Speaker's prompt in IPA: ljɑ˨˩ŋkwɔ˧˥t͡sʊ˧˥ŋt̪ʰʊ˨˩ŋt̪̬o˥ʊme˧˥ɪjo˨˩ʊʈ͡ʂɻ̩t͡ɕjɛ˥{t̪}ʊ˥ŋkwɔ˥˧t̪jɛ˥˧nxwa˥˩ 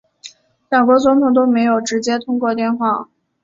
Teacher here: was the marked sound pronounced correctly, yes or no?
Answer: no